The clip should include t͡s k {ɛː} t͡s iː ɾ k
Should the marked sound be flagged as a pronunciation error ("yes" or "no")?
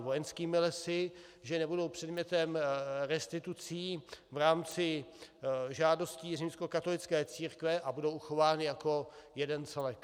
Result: no